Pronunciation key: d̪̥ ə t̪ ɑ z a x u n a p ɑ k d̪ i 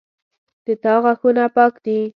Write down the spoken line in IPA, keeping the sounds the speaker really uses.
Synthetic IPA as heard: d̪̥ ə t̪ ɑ ɣ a x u n a p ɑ k d̪ i